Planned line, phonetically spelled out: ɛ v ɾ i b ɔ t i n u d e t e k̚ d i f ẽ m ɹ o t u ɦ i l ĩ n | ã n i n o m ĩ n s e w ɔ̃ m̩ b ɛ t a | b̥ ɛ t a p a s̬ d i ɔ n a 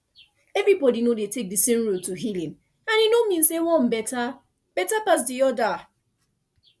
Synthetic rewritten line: ɛ v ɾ i b ɔ d i n o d e t e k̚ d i s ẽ m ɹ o t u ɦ i l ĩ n | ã n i n o m ĩ n s e w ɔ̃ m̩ b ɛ t a | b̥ ɛ t a p a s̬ d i ɔ d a